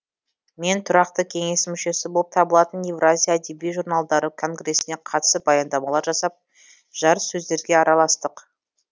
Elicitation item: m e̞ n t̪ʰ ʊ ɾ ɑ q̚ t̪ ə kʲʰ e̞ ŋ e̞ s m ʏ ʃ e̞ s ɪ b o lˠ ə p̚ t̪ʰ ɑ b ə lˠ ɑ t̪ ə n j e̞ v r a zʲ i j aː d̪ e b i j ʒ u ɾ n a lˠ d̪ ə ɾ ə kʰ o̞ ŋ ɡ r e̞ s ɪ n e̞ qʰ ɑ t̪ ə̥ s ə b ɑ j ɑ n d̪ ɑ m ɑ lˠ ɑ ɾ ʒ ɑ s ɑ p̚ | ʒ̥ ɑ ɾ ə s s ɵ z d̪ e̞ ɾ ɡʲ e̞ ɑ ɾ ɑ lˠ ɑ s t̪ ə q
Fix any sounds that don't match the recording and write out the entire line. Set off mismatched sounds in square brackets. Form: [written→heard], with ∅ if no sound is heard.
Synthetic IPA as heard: m e̞ n t̪ʰ ʊ ɾ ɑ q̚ t̪ ə kʲʰ e̞ ŋ e̞ s m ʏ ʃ e̞ s ɪ b o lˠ ə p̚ t̪ʰ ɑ b ə lˠ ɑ t̪ ə n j e̞ v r a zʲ i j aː d̪ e b i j ʒ u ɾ n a lˠ d̪ [ə→ɑ] ɾ ə kʰ o̞ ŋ ɡ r e̞ s ɪ n e̞ qʰ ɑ t̪ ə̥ s ə b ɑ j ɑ n d̪ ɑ m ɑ lˠ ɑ ɾ ʒ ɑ s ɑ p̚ | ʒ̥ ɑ ɾ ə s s ɵ z d̪ e̞ ɾ ɡʲ e̞ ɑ ɾ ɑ lˠ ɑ s t̪ ə q